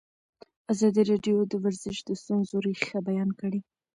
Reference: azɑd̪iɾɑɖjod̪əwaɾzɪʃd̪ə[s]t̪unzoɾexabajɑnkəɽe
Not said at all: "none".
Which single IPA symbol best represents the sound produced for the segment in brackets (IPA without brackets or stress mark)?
s